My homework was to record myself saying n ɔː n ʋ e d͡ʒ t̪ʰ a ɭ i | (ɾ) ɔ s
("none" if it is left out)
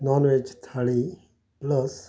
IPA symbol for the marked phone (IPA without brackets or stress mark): l